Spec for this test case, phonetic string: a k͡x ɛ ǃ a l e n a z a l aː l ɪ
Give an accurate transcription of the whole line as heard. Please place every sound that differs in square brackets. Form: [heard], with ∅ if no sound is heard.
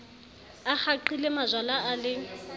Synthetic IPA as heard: a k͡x [a] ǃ [i] l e [m] a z a l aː l ɪ

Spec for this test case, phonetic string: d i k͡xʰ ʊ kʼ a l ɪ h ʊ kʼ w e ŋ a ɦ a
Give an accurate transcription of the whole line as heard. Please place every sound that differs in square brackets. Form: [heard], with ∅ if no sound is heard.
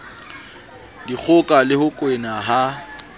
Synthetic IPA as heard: d i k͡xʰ ʊ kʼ a l ɪ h ʊ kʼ w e [n] a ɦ a

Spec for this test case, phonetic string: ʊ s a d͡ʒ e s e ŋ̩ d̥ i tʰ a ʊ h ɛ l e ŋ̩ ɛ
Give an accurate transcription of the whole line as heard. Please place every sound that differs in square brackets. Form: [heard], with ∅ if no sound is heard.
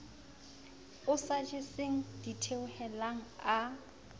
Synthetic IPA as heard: ʊ s a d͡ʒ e s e ŋ̩ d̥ i tʰ [e] ʊ h ɛ l [a] ŋ̩ [a]

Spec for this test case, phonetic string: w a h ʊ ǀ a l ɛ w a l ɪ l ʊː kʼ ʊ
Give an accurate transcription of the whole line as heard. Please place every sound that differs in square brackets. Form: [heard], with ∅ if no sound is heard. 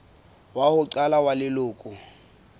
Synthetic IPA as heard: w a h ʊ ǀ a l [a] w a l ɪ l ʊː kʼ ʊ

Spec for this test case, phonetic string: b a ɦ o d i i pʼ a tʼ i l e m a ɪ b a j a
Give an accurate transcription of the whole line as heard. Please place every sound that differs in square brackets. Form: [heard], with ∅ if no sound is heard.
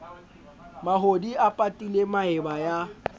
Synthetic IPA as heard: [m] a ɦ o d i [a] pʼ a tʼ i l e m a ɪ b a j a

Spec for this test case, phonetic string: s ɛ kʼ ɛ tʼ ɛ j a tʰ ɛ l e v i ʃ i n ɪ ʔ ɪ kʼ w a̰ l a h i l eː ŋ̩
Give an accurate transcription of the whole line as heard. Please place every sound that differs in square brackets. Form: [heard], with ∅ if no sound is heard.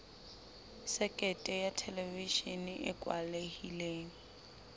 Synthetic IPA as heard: s ɛ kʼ ɛ tʼ ɛ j a tʰ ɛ l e v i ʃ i n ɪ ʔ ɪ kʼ w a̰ l [e] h i l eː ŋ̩

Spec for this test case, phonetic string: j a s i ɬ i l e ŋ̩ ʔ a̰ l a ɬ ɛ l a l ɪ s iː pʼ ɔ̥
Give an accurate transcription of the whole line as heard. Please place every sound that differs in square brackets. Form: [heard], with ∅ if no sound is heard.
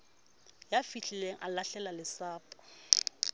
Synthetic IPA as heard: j a [f] i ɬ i l e ŋ̩ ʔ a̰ l a ɬ ɛ l a l ɪ s [aː] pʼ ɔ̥

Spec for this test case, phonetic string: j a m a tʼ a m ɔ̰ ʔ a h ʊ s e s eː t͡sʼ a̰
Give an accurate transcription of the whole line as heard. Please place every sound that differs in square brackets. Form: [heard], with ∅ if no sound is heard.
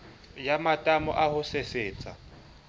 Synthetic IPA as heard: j a m a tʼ a m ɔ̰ ʔ a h ʊ s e s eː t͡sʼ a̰

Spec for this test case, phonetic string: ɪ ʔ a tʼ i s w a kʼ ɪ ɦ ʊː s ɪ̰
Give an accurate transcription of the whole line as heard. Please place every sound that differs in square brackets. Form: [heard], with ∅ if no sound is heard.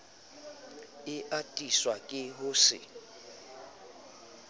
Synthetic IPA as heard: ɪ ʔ a tʼ i s w a kʼ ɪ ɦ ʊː s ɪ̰

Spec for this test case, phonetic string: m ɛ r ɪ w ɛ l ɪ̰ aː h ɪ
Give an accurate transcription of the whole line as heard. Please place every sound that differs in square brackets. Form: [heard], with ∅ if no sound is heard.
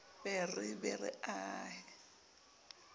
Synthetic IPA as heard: [b] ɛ r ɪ [b] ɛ [r] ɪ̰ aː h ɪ

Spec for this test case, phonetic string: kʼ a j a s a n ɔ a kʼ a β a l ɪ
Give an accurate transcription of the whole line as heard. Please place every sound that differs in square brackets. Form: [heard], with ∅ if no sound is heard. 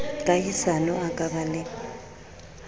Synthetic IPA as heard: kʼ a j [i] s a n ɔ a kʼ a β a l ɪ

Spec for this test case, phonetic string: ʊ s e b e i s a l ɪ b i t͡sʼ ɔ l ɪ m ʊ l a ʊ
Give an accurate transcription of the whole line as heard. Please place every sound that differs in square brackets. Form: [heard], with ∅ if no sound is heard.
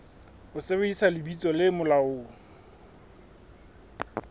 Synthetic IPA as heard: ʊ s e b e i s a l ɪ b i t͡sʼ ɔ l ɪ m ʊ l a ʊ

